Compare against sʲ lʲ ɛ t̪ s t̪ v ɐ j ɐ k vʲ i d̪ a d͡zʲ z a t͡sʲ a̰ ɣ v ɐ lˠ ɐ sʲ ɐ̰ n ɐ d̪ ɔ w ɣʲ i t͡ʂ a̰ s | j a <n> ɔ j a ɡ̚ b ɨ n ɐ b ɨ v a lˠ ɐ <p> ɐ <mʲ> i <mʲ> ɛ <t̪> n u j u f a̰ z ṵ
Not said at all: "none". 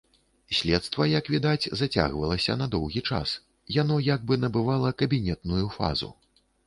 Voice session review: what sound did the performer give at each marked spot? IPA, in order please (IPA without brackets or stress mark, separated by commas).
n, k, bʲ, nʲ, t̪